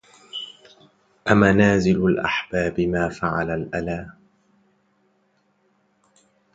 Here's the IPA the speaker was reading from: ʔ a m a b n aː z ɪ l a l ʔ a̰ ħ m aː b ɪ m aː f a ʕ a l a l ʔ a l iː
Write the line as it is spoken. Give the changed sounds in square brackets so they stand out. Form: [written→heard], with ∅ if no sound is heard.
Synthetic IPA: ʔ a m a [b→∅] n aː z ɪ l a l ʔ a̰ ħ [m→b] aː b ɪ m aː f a ʕ a l a l ʔ a l [iː→aː]